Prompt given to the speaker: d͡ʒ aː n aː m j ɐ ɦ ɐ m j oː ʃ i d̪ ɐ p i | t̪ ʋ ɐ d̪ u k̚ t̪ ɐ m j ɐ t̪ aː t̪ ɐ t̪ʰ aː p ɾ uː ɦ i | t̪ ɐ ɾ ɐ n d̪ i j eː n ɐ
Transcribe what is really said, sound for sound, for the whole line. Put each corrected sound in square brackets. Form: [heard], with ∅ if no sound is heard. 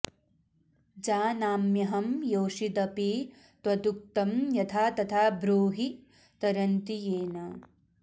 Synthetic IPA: d͡ʒ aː n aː m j ɐ ɦ ɐ m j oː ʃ i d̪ ɐ p i | t̪ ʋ ɐ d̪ u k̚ t̪ ɐ m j ɐ [t̪ʰ] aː t̪ ɐ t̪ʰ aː [b] ɾ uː ɦ i | t̪ ɐ ɾ ɐ n [t̪] i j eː n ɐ